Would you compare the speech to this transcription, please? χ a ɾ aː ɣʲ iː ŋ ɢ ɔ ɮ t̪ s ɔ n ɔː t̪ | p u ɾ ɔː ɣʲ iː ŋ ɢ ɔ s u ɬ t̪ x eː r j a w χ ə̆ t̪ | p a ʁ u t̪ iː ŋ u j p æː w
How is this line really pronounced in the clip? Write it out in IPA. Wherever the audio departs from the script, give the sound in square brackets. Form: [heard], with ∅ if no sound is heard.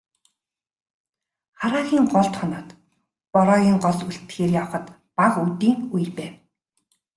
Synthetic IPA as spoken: χ a ɾ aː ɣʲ iː ŋ ɢ ɔ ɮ t̪ [χ] ɔ n ɔː t̪ | p [ɔ] ɾ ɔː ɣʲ iː ŋ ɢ ɔ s u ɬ t̪ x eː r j a w χ ə̆ t̪ | p a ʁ u t̪ iː ŋ u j p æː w